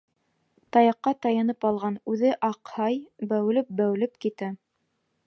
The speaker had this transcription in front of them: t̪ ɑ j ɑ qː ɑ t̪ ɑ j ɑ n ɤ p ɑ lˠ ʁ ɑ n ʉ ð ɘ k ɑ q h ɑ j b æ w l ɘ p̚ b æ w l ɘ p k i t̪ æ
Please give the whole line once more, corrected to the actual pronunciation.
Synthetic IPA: t̪ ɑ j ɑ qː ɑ t̪ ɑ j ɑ n ɤ p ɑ lˠ ʁ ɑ n ʉ ð ɘ ʔ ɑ q h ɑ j b æ w l ɘ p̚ b æ w l ɘ p k i t̪ æ